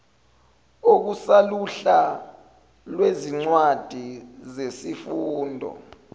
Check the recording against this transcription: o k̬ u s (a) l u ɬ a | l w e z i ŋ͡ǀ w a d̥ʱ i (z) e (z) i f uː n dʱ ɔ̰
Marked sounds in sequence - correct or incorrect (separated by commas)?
correct, correct, incorrect